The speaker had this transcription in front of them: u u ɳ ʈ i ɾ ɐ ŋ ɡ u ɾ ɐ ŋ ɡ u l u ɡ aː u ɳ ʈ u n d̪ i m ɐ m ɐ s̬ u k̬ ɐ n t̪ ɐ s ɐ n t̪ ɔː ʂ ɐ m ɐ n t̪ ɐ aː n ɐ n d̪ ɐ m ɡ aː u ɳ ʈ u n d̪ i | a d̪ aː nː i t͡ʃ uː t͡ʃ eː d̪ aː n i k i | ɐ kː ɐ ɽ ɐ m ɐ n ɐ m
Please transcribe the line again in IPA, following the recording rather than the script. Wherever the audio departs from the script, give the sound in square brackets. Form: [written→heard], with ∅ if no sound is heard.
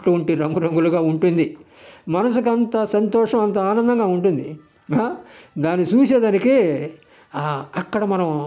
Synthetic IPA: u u ɳ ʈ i ɾ ɐ ŋ ɡ u ɾ ɐ ŋ ɡ u l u ɡ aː u ɳ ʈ u n d̪ i m ɐ [m→n] ɐ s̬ u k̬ ɐ n t̪ ɐ s ɐ n t̪ ɔː ʂ ɐ m ɐ n t̪ ɐ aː n ɐ n d̪ ɐ [m→ŋ] ɡ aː u ɳ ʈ u n d̪ i | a d̪ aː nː i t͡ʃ uː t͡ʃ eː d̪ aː n i k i | ɐ kː ɐ ɽ ɐ m ɐ n ɐ m

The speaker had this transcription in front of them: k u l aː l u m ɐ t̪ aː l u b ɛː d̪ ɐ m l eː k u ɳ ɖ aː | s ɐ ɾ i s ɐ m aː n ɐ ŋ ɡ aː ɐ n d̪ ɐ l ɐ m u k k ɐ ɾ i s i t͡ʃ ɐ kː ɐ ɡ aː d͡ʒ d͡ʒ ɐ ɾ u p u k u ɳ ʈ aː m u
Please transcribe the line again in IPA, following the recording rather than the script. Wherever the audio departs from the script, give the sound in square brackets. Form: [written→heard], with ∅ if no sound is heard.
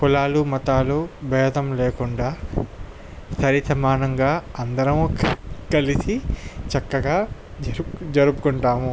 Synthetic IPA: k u l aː l u m ɐ t̪ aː l u b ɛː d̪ ɐ m l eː k u ɳ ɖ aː | s ɐ ɾ i s ɐ m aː n ɐ ŋ ɡ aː ɐ n d̪ ɐ [l→ɾ] ɐ m u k k ɐ [ɾ→l] i s i t͡ʃ ɐ kː ɐ ɡ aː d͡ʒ d͡ʒ ɐ ɾ u p u k u ɳ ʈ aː m u

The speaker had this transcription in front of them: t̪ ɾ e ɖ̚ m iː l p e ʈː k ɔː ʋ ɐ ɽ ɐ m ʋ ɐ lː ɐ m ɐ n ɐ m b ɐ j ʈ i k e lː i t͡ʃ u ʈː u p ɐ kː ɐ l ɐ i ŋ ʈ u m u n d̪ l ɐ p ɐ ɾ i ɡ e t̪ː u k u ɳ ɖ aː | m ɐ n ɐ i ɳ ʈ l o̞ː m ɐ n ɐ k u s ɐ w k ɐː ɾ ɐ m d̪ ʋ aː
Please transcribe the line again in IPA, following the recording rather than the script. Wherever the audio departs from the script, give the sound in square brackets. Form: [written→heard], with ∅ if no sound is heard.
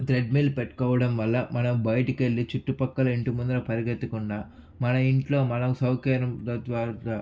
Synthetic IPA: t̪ ɾ e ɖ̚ m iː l p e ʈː k ɔː ʋ ɐ ɽ ɐ m ʋ ɐ lː ɐ m ɐ n ɐ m b ɐ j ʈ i k e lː i t͡ʃ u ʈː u p ɐ kː ɐ l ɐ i [ŋ→ɳ] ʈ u m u n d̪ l ɐ p ɐ ɾ i ɡ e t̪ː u k u ɳ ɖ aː | m ɐ n ɐ i ɳ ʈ l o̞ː m ɐ n ɐ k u s ɐ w k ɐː ɾ ɐ m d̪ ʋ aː

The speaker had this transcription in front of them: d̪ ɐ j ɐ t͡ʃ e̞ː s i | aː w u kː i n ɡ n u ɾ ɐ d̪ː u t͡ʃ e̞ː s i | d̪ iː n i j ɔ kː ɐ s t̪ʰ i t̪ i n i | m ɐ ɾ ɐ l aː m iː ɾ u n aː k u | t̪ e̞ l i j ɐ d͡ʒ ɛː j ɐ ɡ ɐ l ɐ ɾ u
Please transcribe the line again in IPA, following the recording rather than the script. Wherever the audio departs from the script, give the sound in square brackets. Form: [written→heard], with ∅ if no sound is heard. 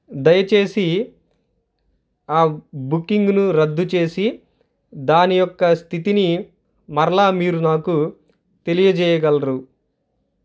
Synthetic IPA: d̪ ɐ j ɐ t͡ʃ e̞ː s i | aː [w→b] u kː i [n→ŋ] ɡ n u ɾ ɐ d̪ː u t͡ʃ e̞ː s i | d̪ [iː→aː] n i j ɔ kː ɐ s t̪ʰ i t̪ i n i | m ɐ ɾ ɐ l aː m iː ɾ u n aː k u | t̪ e̞ l i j ɐ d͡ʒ ɛː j ɐ ɡ ɐ l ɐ ɾ u

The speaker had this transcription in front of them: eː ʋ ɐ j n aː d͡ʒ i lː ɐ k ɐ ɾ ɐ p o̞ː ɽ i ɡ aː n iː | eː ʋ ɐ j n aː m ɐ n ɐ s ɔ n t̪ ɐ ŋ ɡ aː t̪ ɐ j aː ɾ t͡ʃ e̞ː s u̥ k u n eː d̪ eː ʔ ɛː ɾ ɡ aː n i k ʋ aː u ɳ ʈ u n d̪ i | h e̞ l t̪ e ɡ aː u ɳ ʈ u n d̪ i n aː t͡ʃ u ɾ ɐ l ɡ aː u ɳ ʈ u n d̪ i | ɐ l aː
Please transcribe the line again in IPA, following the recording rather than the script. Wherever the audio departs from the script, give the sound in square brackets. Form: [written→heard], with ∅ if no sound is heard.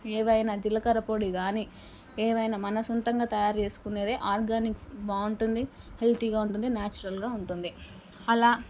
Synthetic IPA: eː ʋ ɐ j n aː d͡ʒ i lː ɐ k ɐ ɾ ɐ p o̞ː ɽ i ɡ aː n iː | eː ʋ ɐ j n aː m ɐ n ɐ s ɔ n t̪ ɐ ŋ ɡ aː t̪ ɐ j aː ɾ t͡ʃ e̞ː s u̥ k u n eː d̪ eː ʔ [ɛː→aː] ɾ ɡ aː n i k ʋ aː u ɳ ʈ u n d̪ i | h e̞ l t̪ [e→i] ɡ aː u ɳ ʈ u n d̪ i n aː t͡ʃ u ɾ ɐ l ɡ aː u ɳ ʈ u n d̪ i | ɐ l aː

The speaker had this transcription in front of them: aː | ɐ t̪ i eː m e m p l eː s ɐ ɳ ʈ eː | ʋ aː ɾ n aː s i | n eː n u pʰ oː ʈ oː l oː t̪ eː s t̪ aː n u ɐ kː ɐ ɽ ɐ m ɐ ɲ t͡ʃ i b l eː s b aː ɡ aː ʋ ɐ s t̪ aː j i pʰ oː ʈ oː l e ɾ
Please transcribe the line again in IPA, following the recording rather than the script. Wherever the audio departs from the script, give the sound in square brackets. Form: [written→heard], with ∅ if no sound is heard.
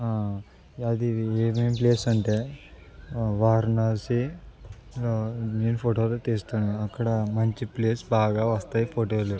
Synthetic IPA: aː | ɐ [t̪→d̪] i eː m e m p l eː s ɐ ɳ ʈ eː | ʋ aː ɾ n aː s i | n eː n u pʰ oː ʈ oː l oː t̪ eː s t̪ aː n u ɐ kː ɐ ɽ ɐ m ɐ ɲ t͡ʃ i [b→p] l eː s b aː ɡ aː ʋ ɐ s t̪ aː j i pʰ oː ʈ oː l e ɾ

